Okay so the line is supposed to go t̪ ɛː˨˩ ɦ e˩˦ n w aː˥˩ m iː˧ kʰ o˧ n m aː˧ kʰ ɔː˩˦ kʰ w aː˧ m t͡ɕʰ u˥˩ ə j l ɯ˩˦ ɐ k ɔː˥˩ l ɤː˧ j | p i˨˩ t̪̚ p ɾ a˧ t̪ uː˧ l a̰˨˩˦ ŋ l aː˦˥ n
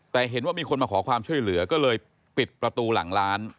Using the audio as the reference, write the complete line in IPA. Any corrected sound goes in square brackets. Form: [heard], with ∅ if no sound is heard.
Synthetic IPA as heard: t̪ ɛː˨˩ ɦ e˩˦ n w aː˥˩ m iː˧ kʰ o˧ n m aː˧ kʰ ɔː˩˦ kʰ w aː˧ m t͡ɕʰ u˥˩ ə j l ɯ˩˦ ɐ k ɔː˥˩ l ɤː˧ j | p i˨˩ t̪̚ p ɾ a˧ t̪ uː˧ l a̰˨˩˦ ŋ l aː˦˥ n